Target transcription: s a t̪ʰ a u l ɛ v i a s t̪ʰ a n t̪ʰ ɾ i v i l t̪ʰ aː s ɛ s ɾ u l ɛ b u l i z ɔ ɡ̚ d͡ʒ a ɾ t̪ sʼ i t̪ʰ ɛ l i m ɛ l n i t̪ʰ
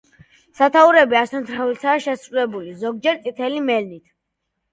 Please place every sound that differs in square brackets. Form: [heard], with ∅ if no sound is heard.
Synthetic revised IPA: s a t̪ʰ a u [ɾ] ɛ [b] i a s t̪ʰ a n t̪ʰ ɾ [a] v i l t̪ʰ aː [ʃ] ɛ s ɾ u l ɛ b u l i z ɔ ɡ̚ d͡ʒ [ɛ] ɾ t̪ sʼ i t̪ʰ ɛ l i m ɛ l n i t̪ʰ